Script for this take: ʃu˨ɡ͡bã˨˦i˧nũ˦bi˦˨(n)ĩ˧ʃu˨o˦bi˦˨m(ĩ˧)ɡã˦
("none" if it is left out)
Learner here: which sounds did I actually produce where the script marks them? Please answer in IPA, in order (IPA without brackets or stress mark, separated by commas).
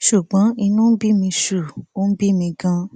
m, ĩ˧